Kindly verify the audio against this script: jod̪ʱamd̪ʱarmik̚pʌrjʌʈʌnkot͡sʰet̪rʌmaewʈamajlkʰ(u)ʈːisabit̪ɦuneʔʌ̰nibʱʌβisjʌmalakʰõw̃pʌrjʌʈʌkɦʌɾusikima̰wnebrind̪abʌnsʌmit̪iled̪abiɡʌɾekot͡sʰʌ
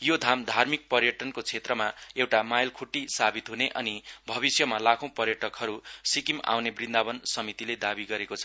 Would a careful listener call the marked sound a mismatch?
no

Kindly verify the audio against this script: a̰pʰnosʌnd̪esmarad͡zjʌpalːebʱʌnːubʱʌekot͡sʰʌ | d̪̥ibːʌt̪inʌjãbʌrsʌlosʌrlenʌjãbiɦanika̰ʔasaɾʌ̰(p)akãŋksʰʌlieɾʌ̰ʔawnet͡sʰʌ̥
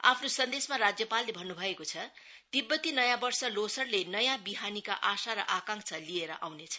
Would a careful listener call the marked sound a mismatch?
yes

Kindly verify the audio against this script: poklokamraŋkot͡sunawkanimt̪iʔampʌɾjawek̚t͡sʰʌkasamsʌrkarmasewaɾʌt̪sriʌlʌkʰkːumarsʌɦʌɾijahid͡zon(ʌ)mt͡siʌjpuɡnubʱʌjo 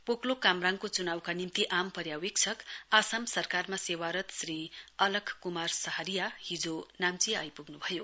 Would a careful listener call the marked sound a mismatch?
yes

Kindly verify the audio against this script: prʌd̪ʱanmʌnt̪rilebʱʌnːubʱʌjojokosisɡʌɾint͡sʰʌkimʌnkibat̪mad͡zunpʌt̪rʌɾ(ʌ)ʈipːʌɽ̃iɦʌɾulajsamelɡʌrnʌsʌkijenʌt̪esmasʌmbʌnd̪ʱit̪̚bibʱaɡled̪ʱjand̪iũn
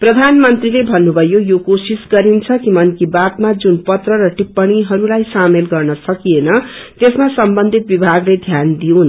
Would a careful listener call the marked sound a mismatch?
no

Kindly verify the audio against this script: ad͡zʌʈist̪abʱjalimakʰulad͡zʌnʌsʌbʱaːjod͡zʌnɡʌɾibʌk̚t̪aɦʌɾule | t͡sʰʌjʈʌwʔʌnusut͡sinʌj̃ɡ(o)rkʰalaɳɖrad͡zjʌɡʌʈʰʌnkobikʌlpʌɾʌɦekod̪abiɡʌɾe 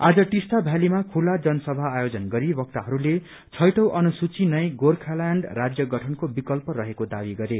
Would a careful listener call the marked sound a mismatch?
no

